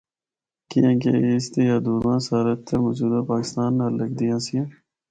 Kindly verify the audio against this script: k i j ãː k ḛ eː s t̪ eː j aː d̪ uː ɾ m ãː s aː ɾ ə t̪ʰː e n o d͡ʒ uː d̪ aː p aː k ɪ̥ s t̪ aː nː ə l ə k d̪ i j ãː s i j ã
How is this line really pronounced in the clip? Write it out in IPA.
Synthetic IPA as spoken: k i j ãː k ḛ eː s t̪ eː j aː d̪ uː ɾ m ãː s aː ɾ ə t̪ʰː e m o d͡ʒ uː d̪ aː p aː k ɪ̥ s t̪ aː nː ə l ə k d̪ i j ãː s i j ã